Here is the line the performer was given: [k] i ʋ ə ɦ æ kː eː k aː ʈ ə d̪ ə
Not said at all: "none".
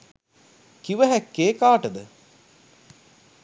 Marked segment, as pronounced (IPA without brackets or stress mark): k